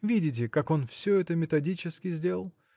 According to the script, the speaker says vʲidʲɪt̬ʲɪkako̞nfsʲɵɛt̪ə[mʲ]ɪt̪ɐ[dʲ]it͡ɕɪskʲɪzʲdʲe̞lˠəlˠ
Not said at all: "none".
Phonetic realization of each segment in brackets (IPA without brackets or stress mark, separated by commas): mʲ, dʲ